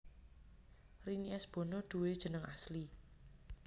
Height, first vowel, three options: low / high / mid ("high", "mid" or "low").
high